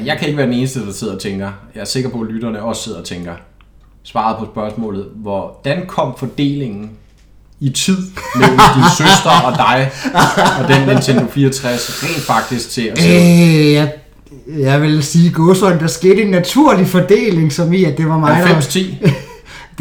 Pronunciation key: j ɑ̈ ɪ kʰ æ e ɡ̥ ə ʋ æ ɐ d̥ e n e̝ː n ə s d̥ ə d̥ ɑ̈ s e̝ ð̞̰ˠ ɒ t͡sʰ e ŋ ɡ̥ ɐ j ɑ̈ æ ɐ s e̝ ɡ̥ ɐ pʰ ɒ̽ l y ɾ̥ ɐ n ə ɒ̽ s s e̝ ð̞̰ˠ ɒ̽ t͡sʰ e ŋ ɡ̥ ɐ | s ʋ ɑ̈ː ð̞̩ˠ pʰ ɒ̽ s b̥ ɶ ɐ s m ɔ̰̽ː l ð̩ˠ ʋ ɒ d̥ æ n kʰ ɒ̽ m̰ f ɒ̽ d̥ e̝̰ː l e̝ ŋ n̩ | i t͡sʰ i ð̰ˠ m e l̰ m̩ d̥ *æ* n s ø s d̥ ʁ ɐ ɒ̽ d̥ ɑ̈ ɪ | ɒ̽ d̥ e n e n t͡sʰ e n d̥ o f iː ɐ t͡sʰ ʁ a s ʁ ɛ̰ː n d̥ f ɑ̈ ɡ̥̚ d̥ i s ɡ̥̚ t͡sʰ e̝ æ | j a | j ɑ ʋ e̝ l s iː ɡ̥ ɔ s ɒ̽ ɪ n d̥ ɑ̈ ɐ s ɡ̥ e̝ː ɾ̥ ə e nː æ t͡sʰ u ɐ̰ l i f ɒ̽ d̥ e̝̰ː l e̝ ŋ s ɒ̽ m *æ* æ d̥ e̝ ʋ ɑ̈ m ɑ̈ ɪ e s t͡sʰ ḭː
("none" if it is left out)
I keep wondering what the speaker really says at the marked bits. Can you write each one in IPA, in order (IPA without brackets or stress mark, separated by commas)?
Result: i, i